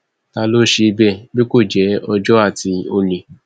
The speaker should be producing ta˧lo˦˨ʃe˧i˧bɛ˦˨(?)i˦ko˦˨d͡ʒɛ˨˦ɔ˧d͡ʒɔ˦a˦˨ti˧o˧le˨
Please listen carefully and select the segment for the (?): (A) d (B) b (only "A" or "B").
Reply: B